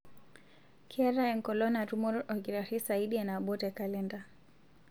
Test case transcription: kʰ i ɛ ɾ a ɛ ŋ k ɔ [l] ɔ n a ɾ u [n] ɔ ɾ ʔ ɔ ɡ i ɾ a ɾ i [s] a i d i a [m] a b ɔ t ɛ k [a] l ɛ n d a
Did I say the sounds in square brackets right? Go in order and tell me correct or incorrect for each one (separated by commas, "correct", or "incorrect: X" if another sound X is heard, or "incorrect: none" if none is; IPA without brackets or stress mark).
correct, incorrect: m, correct, incorrect: n, correct